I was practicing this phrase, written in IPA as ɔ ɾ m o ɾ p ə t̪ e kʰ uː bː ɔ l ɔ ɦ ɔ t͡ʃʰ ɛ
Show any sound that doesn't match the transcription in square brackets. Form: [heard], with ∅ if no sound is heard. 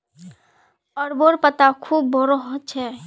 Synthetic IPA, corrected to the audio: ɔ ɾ [b] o ɾ p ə t̪ [a] kʰ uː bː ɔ [ɾ] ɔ ɦ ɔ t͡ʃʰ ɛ